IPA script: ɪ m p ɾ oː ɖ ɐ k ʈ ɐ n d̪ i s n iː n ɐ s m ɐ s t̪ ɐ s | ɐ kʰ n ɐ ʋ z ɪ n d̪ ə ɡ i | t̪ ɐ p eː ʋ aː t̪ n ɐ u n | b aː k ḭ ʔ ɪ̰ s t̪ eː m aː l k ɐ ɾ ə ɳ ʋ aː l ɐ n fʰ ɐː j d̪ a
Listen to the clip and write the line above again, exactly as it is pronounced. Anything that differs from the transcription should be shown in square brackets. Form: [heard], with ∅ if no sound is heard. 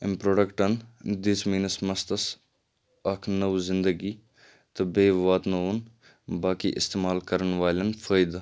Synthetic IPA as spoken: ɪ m p ɾ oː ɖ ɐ k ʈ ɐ n d̪ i s [m] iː n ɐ s m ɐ s t̪ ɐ s | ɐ kʰ n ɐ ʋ z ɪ n d̪ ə ɡ i | t̪ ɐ [b] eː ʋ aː t̪ n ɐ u n | b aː k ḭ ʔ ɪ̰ s t̪ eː m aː l k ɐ ɾ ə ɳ ʋ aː l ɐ n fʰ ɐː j d̪ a

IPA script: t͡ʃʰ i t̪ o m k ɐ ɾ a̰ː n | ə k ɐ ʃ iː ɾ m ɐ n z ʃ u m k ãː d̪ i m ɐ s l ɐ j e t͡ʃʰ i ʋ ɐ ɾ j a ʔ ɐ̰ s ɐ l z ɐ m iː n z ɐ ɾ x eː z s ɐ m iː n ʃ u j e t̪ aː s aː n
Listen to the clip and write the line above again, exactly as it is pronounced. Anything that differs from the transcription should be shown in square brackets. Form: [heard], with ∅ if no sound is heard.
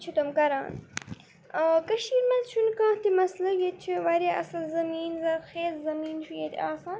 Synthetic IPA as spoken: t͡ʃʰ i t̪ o m k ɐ ɾ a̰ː n | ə k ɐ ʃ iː ɾ m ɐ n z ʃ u [n] k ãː [t̪] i m ɐ s l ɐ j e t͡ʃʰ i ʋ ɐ ɾ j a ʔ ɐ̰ s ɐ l z ɐ m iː n z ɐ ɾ x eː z [z] ɐ m iː n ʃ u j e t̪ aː s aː n

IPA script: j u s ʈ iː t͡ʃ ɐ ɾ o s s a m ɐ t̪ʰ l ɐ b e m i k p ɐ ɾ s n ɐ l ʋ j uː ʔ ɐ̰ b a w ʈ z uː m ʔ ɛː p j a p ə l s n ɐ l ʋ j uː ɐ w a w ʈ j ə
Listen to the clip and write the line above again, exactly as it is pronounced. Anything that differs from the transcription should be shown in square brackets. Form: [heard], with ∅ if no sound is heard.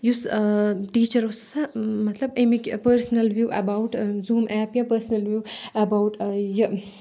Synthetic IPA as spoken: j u s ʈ iː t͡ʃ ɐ ɾ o s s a m ɐ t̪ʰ l ɐ b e m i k p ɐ ɾ s n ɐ l ʋ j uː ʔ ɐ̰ b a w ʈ z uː m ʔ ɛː p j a p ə [ɾ] s n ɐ l ʋ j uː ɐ [b] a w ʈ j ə

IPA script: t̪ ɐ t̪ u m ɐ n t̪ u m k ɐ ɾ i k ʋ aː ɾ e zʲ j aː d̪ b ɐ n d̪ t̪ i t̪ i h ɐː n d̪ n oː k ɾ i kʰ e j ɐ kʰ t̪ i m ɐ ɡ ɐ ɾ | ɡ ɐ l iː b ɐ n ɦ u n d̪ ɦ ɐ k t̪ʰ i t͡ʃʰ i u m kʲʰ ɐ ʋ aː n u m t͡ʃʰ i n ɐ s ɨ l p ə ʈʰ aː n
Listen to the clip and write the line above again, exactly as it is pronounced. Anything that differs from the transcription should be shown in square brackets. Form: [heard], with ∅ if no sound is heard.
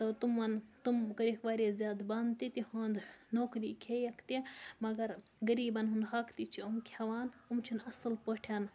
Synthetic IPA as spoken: t̪ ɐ t̪ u m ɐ n t̪ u m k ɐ ɾ i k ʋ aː ɾ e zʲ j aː d̪ b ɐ n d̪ t̪ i t̪ i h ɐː n d̪ n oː k ɾ i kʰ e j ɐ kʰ t̪ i m ɐ ɡ ɐ ɾ | ɡ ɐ [ɾ] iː b ɐ n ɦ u n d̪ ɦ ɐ k [t̪] i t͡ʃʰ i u m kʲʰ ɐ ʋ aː n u m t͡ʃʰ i n ɐ s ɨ l p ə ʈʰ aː n

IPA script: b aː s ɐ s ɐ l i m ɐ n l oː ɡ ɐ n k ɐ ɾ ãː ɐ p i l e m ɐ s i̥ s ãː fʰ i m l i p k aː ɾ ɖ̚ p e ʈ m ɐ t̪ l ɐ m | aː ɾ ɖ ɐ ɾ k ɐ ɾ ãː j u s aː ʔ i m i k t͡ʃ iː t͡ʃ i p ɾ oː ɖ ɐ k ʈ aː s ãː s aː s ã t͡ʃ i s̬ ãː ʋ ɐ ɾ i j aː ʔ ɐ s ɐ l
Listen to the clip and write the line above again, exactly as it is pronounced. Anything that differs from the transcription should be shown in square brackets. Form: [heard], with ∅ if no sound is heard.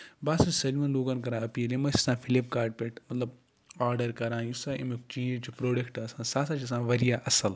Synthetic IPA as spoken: b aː s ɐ s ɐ l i m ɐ n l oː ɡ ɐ n k ɐ ɾ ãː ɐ p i l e m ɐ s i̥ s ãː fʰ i [∅] l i p k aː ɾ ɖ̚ p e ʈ m ɐ t̪ l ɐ [b] | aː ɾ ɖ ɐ ɾ k ɐ ɾ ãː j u s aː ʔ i m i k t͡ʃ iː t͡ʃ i p ɾ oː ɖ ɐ k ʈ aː s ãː s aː s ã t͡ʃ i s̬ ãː ʋ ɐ ɾ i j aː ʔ ɐ s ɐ l

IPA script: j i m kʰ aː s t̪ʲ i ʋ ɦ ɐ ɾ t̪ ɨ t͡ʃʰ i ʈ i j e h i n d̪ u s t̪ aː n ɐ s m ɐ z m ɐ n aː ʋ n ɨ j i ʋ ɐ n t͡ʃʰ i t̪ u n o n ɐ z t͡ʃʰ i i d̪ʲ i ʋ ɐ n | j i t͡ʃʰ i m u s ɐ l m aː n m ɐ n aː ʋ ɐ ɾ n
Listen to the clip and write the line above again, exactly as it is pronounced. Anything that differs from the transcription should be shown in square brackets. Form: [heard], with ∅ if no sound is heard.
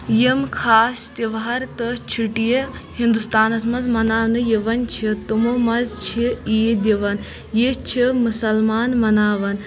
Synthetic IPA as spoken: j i m kʰ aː s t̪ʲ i ʋ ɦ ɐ ɾ t̪ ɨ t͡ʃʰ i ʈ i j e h i n d̪ u s t̪ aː n ɐ s m ɐ z m ɐ n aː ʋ n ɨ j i ʋ ɐ n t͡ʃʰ i t̪ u [m] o [m] ɐ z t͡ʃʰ i i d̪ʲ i ʋ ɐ n | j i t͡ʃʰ i m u s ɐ l m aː n m ɐ n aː ʋ ɐ [∅] n

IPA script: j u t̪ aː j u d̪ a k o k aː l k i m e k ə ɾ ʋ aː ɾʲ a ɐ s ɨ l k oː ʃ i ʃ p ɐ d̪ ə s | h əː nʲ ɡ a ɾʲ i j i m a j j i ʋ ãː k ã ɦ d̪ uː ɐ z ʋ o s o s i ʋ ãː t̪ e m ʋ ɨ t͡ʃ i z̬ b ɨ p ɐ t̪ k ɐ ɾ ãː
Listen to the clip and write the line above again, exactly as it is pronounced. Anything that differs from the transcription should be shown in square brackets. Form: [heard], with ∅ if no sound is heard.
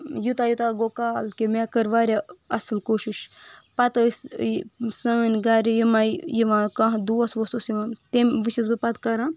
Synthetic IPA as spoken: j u t̪ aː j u [t̪] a [ɡ] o k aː l k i m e k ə ɾ ʋ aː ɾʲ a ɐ s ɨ l k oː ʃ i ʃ p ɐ [t̪] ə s | [s] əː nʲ ɡ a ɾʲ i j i m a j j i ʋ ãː k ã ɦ d̪ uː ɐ [s] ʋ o s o s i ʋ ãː t̪ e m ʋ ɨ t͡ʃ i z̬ b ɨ p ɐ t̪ k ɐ ɾ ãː

